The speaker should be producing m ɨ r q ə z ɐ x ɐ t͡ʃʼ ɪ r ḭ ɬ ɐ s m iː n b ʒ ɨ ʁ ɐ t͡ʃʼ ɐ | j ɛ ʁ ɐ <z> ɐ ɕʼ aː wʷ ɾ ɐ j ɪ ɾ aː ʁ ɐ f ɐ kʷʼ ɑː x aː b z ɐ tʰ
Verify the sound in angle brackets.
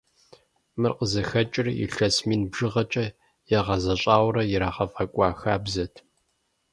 correct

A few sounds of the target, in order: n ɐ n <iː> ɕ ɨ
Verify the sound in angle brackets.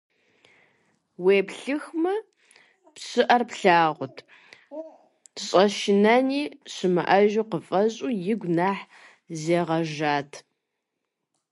correct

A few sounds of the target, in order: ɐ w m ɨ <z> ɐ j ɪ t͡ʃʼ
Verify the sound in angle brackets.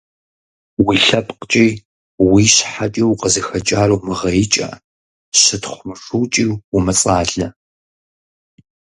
incorrect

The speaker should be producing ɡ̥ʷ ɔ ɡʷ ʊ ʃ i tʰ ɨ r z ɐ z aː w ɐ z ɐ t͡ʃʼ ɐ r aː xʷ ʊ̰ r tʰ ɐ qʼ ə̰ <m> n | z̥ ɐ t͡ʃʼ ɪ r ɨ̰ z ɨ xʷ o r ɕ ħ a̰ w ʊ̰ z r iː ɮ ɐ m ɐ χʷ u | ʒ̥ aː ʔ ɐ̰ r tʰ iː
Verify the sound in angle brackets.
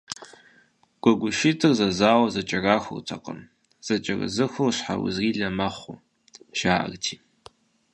incorrect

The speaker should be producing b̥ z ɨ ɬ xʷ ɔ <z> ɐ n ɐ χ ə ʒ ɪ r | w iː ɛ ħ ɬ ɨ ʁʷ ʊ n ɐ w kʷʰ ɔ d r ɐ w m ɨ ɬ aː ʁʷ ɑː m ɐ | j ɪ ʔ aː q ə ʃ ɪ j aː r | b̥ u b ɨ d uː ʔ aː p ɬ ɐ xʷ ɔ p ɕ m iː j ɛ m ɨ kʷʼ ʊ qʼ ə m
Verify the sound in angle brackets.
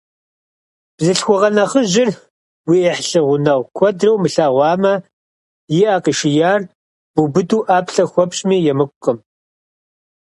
incorrect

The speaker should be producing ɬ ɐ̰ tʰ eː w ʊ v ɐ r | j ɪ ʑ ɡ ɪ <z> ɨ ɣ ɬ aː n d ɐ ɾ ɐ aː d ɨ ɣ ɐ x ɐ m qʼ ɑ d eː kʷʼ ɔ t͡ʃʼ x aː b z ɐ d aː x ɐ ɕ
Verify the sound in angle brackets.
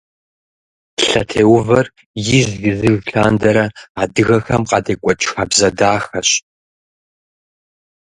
correct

